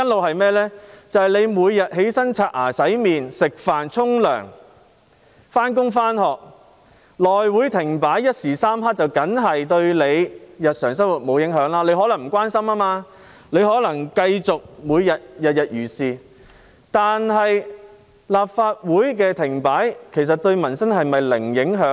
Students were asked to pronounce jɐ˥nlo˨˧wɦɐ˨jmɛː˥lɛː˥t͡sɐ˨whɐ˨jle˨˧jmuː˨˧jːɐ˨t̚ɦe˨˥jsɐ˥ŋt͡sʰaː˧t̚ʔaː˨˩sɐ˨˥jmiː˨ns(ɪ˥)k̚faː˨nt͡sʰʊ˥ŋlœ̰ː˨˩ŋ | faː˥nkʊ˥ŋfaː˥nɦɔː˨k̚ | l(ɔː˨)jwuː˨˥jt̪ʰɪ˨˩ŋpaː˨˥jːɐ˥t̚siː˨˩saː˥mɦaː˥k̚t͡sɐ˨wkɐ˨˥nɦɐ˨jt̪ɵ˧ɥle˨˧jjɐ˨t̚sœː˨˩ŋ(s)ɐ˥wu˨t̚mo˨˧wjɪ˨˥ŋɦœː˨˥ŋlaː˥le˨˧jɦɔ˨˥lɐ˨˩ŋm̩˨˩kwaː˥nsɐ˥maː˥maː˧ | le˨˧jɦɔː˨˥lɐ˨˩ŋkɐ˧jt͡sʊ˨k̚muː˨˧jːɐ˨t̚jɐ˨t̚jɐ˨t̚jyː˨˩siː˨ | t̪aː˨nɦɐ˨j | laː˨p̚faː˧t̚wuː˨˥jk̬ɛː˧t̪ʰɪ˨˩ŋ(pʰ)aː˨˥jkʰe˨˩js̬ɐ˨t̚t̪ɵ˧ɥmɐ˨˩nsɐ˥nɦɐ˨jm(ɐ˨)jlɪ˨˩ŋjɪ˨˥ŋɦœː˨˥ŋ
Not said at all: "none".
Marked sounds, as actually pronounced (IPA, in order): ɪ˨, ɔː˨, s, p, ɐ˨

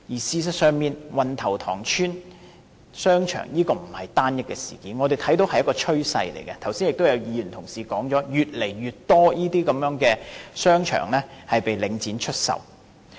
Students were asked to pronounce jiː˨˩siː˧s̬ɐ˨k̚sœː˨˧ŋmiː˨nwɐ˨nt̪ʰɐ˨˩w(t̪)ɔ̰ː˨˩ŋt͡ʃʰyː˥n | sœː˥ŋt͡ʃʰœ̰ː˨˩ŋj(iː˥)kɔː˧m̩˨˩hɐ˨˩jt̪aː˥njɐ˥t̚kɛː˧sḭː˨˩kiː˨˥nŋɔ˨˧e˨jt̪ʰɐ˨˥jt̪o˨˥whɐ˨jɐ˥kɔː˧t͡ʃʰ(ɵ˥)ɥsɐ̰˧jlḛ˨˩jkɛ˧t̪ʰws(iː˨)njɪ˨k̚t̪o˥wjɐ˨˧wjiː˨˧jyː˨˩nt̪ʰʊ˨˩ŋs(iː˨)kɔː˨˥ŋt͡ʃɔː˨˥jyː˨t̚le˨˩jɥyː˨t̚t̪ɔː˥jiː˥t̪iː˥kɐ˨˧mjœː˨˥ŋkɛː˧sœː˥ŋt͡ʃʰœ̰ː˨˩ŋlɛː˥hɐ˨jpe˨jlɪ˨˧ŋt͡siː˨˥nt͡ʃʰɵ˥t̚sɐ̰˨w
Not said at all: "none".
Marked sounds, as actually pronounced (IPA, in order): t̪ʰ, iː˥, ɵ˥, iː˥, iː˨

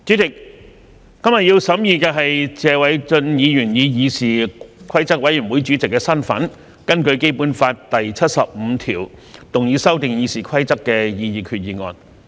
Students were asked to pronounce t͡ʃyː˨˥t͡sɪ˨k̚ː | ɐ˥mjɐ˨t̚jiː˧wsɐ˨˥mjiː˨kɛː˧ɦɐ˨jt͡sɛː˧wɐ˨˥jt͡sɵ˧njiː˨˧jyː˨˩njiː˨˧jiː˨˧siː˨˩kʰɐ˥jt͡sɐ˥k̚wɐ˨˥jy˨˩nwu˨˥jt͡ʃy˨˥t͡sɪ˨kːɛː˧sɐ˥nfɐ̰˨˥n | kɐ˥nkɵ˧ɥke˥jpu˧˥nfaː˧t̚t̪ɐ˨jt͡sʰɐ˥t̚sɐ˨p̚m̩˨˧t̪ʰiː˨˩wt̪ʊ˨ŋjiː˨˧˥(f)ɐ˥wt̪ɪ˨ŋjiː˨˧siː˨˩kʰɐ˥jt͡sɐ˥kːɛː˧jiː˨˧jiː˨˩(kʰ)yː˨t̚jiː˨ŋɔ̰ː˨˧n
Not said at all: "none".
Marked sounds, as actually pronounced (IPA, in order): s, kʰ

